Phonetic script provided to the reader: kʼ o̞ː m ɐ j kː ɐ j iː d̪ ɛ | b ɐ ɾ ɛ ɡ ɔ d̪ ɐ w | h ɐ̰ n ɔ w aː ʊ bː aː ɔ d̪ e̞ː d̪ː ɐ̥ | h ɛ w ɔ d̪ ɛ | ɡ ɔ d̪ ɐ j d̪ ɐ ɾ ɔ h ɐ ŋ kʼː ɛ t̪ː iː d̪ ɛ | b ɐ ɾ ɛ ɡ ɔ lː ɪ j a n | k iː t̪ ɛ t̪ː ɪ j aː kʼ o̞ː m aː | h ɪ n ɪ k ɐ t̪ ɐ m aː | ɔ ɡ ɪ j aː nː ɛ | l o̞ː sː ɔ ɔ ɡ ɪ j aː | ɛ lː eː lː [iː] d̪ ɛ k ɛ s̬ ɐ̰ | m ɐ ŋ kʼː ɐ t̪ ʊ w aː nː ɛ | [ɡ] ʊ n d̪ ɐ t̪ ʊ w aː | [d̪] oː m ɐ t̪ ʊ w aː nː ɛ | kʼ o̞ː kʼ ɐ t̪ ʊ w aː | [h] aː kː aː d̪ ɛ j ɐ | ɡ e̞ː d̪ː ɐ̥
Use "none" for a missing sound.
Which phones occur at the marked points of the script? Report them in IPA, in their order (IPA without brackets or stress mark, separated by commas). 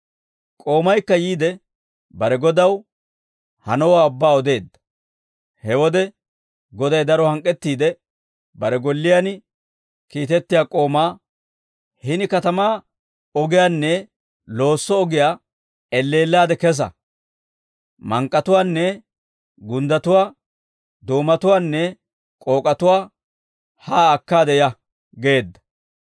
aː, ɡ, d̪, h